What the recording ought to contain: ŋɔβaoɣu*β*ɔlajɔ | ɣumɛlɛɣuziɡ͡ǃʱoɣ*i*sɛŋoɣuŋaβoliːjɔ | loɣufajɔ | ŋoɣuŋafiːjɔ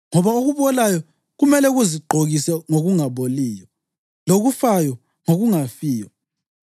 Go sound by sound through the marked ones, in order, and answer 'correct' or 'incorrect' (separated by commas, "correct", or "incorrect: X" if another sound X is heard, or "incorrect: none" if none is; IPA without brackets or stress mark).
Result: correct, correct